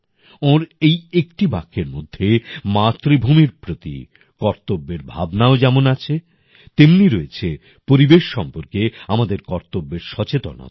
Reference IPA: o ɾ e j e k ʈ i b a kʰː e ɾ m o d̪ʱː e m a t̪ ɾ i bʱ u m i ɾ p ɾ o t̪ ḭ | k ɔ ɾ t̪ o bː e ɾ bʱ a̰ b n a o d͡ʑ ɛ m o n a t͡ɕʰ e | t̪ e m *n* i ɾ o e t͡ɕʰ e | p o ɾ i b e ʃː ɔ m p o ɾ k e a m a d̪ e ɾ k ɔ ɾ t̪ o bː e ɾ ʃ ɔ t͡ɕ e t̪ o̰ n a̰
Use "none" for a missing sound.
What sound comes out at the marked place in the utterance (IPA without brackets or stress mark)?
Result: n